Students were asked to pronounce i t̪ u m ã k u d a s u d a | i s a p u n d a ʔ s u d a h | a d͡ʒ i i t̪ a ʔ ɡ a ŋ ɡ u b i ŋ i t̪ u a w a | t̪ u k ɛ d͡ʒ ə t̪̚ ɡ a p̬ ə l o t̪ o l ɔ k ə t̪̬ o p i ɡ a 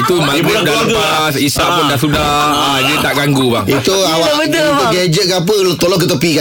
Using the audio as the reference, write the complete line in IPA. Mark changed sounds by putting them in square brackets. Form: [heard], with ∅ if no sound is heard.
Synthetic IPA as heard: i t̪ u m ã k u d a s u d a | i s a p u n d a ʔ s u d a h | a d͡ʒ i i t̪ a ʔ ɡ a ŋ ɡ u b [a] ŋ i t̪ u a w a | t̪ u [ɡ] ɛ d͡ʒ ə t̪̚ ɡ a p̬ ə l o t̪ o l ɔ k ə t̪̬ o p i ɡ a